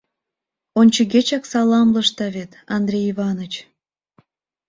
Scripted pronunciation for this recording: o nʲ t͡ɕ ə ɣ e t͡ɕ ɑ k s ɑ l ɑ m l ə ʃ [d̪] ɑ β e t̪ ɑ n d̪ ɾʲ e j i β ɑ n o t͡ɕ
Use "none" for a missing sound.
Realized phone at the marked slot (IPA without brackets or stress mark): t̪